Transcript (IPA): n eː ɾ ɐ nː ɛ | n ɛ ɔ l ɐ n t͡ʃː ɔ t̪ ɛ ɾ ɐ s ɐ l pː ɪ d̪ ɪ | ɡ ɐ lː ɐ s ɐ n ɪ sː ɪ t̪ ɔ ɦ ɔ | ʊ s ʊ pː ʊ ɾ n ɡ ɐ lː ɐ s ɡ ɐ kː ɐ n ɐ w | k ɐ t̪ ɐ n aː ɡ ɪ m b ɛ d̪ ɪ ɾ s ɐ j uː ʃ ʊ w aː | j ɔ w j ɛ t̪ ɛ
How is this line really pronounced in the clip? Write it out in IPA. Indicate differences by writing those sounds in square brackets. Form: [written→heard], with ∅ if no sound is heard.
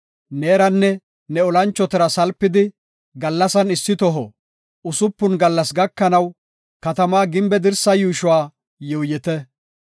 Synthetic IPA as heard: n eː ɾ ɐ nː ɛ | n ɛ ɔ l ɐ n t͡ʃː ɔ t̪ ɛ ɾ ɐ s ɐ l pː ɪ d̪ ɪ | ɡ ɐ lː ɐ s ɐ n ɪ sː ɪ t̪ ɔ ɦ ɔ | ʊ s ʊ pː ʊ [ɾ→∅] n ɡ ɐ lː ɐ s ɡ ɐ kː ɐ n ɐ w | k ɐ t̪ ɐ [n→m] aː ɡ ɪ m b ɛ d̪ ɪ ɾ s ɐ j uː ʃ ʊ w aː | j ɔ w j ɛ t̪ ɛ